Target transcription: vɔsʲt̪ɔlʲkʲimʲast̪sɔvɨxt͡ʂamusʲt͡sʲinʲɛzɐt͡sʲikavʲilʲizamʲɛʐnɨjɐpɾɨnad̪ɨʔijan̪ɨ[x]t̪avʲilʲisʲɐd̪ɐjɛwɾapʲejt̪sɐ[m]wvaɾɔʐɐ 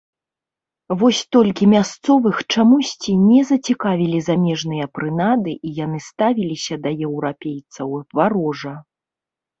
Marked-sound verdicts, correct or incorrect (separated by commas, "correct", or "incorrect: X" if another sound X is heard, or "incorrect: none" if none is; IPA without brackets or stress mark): incorrect: s, incorrect: none